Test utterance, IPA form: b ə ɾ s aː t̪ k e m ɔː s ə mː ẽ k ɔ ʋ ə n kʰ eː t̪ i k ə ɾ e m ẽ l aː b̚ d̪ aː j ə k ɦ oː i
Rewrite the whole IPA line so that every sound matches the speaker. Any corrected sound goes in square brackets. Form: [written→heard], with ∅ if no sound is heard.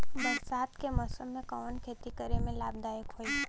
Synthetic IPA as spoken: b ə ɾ s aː t̪ k e m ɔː s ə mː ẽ k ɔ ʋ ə n kʰ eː t̪ i k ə ɾ e m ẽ l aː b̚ d̪ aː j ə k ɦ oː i